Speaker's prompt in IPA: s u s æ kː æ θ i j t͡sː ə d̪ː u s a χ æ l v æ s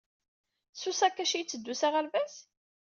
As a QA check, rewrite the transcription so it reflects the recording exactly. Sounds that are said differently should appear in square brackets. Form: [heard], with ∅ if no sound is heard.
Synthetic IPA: s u s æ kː æ [ʃ] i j t͡sː ə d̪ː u s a [ʁ] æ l v æ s

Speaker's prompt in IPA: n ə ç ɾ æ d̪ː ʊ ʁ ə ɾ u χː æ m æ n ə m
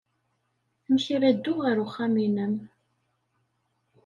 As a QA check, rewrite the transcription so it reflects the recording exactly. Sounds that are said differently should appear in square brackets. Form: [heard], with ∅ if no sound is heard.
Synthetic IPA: [m] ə ç ɾ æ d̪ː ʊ ʁ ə ɾ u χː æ m [i] n ə m

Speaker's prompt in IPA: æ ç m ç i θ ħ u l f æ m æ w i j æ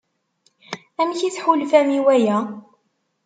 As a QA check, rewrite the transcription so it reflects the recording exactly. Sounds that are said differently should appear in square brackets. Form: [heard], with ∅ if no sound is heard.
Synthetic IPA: æ [∅] m ç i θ ħ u l f æ m [i] w [æ] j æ

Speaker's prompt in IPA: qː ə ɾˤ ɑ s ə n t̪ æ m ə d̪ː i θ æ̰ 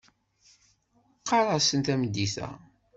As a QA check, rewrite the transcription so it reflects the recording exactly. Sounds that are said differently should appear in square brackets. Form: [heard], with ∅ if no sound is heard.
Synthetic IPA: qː [ɑ] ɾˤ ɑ s ə n t̪ æ m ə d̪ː i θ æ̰

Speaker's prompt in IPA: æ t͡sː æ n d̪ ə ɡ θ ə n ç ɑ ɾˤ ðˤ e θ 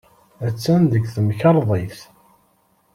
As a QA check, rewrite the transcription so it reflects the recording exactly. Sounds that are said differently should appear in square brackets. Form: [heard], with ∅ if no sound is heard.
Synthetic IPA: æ t͡sː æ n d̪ ə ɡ θ ə [m] ç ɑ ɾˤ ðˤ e θ

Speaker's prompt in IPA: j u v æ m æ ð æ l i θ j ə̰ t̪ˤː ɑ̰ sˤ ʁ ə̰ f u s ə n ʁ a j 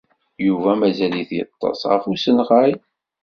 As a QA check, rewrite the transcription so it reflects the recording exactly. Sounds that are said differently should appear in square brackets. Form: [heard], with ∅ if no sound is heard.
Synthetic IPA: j u v æ m æ [z] æ l i θ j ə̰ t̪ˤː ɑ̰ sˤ ʁ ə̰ f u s ə n ʁ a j

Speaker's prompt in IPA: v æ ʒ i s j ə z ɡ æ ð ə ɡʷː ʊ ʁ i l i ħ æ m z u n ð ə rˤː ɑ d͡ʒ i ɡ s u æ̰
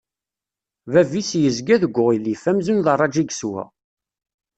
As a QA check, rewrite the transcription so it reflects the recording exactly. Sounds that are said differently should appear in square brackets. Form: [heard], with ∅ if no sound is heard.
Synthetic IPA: v æ [v] i s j ə z ɡ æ ð ə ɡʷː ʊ ʁ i l i [f] æ m z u n ð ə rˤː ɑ d͡ʒ i ɡ s [w] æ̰

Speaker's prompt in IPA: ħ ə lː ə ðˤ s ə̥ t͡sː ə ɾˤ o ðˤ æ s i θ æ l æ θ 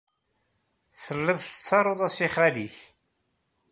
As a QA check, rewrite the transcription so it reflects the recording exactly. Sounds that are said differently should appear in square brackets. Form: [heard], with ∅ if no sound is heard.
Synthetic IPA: [θ] ə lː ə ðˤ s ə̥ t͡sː [ɑ] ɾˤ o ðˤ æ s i [χ] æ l [i] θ

